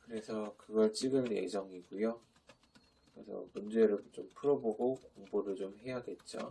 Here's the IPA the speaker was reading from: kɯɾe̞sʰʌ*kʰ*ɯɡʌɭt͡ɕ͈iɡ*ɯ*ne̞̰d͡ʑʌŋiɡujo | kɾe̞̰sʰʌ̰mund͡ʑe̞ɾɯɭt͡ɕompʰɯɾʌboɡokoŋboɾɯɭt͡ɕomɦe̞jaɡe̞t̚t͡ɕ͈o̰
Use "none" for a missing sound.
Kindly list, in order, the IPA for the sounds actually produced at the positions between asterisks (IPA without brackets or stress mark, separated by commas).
k, ɯ